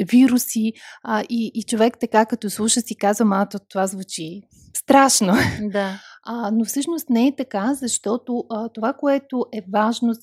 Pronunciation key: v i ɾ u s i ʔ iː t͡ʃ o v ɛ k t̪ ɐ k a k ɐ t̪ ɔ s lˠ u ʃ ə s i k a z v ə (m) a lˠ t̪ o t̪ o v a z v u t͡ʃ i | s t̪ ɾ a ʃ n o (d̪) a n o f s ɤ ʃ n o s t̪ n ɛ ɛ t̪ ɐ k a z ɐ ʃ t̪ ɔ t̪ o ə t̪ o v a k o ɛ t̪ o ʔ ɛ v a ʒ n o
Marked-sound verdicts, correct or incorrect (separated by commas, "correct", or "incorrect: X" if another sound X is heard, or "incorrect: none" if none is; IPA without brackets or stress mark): correct, correct